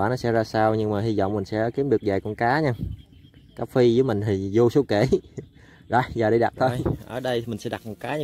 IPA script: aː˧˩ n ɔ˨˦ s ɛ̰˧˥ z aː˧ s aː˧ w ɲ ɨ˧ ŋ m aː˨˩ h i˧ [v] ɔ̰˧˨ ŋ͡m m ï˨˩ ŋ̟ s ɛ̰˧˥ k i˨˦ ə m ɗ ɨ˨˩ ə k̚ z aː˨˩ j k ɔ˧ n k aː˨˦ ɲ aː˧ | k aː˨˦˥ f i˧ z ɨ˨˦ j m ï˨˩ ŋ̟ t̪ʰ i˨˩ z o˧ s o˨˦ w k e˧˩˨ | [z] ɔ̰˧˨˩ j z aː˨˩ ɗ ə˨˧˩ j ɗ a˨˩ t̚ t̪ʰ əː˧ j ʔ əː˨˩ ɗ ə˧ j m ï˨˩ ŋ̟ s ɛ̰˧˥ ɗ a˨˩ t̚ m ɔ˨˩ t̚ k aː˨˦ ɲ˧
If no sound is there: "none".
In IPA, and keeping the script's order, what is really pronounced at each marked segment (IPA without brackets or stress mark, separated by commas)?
z, z